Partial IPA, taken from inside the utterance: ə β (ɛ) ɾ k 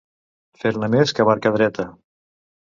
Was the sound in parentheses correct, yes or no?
no